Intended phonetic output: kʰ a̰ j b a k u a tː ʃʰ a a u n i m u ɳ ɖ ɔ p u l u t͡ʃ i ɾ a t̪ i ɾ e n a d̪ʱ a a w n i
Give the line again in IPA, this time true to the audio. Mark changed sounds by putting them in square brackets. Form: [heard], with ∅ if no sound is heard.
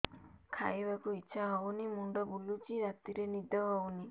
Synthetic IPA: kʰ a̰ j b a k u [i] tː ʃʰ a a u n i m u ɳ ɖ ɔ [b] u l u t͡ʃ i ɾ a t̪ i ɾ e n [i] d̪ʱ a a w n i